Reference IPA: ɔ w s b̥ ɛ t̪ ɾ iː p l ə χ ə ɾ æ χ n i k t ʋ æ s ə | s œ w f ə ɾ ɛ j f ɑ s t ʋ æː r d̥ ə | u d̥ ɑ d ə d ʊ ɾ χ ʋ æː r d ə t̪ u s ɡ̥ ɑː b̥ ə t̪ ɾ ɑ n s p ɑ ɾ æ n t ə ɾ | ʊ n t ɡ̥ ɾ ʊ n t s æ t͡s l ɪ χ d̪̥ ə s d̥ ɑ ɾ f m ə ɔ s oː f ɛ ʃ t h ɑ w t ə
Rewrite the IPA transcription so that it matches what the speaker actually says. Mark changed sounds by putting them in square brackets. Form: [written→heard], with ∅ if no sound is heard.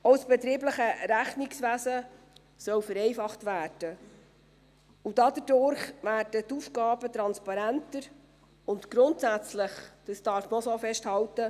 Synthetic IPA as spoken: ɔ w s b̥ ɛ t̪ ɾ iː [p→b] l ə χ ə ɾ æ χ n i k [t→s] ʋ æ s ə | s œ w f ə ɾ ɛ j f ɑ [s→χ] t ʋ æː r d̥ ə | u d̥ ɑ d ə d ʊ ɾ χ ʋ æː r d ə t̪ u [s→f] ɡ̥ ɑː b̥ ə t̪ ɾ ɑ n s p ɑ ɾ æ n t ə ɾ | ʊ n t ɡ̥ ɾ ʊ n t s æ t͡s l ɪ χ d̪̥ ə s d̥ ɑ ɾ f m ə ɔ s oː f ɛ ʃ t h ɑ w t ə

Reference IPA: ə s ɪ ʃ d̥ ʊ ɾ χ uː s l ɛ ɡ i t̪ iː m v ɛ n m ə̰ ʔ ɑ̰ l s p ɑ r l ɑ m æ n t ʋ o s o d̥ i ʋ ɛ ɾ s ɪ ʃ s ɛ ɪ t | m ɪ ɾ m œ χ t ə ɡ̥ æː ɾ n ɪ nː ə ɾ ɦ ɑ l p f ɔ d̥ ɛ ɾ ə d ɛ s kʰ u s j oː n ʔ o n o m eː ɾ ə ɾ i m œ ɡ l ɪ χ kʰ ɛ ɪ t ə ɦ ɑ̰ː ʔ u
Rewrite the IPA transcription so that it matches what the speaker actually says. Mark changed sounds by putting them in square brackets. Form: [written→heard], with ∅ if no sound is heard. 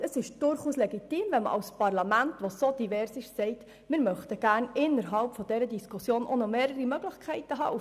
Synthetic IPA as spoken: ə s ɪ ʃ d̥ ʊ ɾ χ uː s l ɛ ɡ i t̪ iː m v ɛ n m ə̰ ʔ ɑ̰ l s p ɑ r l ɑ m æ n t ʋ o s o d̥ i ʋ ɛ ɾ s ɪ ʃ s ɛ ɪ t | m ɪ ɾ m œ χ t ə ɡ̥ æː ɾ n ɪ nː ə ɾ ɦ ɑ l p f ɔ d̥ ɛ ɾ ə d [ɛ→i] s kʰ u s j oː n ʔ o n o m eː ɾ ə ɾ i m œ ɡ l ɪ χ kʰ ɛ ɪ t ə ɦ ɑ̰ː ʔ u

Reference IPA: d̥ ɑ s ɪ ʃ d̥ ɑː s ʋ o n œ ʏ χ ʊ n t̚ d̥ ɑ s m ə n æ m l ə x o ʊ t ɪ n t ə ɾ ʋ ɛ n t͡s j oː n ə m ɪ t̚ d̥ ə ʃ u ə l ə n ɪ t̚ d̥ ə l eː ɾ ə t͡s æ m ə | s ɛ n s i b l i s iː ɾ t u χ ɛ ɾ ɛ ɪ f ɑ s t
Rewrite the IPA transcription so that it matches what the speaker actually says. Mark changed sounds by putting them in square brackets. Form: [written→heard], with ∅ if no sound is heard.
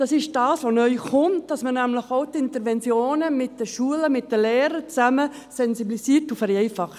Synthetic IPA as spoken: d̥ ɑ s ɪ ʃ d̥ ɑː s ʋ o n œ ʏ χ ʊ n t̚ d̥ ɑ s m ə n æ m l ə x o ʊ t ɪ n t ə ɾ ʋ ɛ n t͡s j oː n ə m ɪ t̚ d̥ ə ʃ u ə l ə [n→m] ɪ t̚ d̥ ə l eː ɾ ə t͡s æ m ə | s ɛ n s i b l i s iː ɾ t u [χ→f] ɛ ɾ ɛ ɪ f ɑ [s→χ] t

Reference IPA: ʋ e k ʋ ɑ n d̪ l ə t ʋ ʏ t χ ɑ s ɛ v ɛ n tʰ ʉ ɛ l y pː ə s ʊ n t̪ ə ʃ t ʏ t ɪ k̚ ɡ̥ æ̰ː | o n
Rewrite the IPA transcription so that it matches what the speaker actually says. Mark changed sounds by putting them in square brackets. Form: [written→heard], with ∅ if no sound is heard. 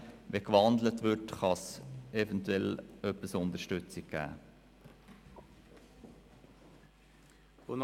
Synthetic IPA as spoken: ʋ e k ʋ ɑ n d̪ l ə t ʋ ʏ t χ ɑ s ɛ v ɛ n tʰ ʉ ɛ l [y→œ] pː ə s ʊ n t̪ ə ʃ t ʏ [t→t͡s] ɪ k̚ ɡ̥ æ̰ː | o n

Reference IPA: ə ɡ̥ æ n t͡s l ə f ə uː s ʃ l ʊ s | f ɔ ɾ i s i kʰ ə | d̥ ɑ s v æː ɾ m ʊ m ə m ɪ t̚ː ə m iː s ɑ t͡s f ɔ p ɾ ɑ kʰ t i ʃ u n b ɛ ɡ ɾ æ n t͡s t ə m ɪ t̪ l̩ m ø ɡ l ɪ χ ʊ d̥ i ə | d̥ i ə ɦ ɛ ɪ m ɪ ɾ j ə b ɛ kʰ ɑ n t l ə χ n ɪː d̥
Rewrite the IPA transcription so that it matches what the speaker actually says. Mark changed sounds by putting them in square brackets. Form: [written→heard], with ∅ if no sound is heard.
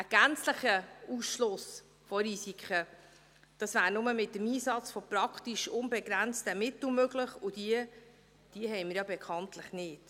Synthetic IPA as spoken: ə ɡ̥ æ n t͡s l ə [f→χ] ə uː s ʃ l ʊ s | f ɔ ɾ i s i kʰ ə | d̥ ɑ s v æː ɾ [m→n] ʊ m ə m ɪ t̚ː ə m iː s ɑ t͡s f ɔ p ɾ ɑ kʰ t i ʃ [u→ʊ] n b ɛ ɡ ɾ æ n t͡s t ə m ɪ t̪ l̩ m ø ɡ l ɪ χ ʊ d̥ i ə | d̥ i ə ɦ ɛ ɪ m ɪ ɾ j [ə→ɑ] b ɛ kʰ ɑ n t l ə χ n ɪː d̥

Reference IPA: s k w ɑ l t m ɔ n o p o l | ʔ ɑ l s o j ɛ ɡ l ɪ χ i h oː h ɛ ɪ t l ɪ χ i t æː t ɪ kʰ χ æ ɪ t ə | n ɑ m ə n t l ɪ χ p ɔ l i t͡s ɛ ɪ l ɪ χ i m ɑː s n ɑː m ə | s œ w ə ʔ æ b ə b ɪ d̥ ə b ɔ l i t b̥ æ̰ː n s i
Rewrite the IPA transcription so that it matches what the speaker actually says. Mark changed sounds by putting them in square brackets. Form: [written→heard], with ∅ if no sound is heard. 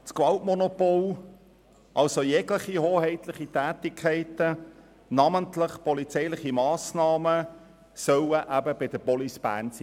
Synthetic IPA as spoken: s k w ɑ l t m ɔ n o p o l | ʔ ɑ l s o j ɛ ɡ l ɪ χ i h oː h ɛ ɪ t l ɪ χ i t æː t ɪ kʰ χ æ ɪ t ə | n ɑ m ə n t l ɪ χ p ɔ l i t͡s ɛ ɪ l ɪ χ i m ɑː s n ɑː m ə | s œ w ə ʔ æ b ə b ɪ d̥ ə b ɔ l i [t→s] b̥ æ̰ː n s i

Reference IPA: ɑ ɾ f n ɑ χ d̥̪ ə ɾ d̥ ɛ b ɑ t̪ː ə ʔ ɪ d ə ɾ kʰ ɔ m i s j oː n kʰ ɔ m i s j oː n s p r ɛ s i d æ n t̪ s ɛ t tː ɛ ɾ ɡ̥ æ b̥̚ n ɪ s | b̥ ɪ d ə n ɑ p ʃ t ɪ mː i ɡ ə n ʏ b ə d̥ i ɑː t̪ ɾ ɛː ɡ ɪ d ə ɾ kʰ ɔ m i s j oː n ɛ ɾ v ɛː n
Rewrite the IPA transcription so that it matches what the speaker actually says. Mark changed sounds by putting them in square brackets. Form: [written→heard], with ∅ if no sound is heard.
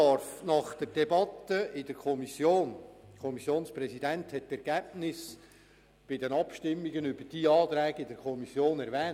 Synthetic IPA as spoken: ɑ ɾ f n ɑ χ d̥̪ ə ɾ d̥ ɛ b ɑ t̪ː ə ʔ ɪ d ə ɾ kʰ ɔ m i s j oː n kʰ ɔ m i s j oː n s p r ɛ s i d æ n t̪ [s→h] ɛ t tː ɛ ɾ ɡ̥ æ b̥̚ n ɪ s | b̥ ɪ d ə n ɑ p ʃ t ɪ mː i ɡ ə n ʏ b ə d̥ i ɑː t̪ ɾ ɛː ɡ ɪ d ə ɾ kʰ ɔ m i s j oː n ɛ ɾ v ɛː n

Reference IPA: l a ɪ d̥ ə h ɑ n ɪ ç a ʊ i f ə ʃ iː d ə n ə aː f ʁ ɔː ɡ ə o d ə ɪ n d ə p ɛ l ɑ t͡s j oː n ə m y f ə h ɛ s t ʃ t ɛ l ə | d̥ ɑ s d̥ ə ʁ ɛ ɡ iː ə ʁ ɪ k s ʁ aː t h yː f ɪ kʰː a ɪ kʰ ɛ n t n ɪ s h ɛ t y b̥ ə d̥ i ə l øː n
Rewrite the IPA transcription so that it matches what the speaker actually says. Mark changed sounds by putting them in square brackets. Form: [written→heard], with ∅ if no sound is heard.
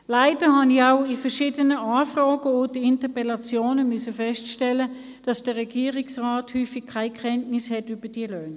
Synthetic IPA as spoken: l a ɪ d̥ ə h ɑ n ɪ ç a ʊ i f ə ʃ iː d ə n ə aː f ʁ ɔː ɡ ə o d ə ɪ n [d→t] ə p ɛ l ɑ t͡s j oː n ə m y [f→s] ə [h→f] ɛ s t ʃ t ɛ l ə | d̥ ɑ s d̥ ə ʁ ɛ ɡ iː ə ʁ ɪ k s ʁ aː t h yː f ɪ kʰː a ɪ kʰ ɛ n t n ɪ s h ɛ t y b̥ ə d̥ i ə l øː n

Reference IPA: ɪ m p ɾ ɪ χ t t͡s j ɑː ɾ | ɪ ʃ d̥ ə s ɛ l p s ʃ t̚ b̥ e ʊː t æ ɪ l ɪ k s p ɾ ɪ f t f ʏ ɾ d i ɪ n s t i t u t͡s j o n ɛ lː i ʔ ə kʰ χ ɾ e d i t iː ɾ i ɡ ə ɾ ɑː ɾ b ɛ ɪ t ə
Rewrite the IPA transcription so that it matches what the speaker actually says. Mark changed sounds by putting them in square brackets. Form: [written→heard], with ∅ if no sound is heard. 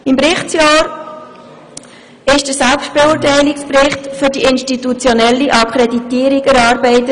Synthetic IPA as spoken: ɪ m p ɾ ɪ χ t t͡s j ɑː ɾ | ɪ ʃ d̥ ə s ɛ l p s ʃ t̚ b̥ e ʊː t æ ɪ l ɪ k s p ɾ ɪ [f→χ] t f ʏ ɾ d i ɪ n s t i t u t͡s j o n ɛ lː i ʔ [ə→ɑ] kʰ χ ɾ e d i t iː ɾ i ɡ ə ɾ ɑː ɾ b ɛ ɪ t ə

